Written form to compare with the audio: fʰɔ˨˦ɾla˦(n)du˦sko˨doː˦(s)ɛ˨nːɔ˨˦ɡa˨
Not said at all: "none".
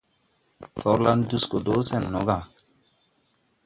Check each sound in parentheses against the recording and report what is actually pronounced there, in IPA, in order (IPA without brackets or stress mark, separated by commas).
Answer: n, s